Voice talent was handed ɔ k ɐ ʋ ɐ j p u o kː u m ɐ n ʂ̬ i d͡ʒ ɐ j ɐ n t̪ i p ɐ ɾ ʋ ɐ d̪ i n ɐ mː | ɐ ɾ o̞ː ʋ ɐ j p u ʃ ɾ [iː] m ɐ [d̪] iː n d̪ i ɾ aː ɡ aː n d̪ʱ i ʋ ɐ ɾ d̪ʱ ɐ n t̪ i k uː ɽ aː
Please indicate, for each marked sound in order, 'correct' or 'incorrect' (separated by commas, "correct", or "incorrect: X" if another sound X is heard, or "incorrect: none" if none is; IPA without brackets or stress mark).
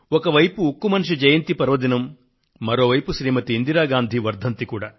correct, incorrect: t̪